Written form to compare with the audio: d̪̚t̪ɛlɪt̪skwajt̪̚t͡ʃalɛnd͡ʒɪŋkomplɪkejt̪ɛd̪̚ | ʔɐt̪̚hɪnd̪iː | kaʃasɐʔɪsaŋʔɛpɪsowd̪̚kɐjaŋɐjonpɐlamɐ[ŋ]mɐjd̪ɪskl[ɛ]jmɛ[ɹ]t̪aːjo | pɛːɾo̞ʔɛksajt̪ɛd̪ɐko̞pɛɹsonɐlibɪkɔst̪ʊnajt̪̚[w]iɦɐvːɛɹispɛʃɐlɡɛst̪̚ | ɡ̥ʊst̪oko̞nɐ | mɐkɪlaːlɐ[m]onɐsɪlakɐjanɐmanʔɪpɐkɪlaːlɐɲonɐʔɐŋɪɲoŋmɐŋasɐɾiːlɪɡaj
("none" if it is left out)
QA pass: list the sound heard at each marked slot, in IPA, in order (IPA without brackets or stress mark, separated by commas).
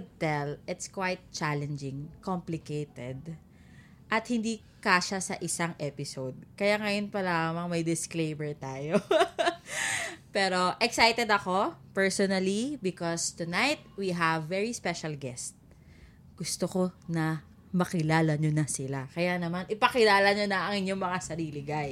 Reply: ŋ, e, ɹ, w, ɲ